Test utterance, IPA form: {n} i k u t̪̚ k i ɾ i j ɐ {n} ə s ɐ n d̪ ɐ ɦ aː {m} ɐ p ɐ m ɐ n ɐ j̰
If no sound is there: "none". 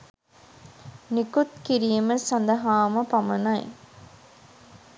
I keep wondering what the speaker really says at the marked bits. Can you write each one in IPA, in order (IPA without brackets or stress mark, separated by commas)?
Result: n, m, m